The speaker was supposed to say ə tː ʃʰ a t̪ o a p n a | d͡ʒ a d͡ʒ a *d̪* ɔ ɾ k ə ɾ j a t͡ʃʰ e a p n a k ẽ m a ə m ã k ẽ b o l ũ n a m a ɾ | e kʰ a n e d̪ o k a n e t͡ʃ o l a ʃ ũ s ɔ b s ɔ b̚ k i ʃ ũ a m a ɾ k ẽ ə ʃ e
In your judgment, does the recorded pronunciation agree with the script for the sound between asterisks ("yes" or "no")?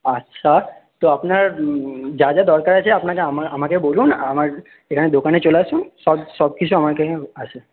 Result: yes